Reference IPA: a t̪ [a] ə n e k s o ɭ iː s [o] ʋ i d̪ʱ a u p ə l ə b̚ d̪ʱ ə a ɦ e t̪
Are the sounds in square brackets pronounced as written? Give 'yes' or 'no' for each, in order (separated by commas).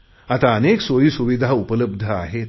yes, no